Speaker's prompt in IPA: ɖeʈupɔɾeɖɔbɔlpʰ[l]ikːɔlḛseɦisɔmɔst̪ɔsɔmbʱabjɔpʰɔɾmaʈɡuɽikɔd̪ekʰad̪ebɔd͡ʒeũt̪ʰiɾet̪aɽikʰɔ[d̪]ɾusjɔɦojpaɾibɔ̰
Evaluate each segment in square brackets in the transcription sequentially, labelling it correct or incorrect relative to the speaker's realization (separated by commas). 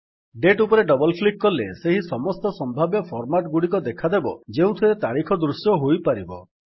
correct, correct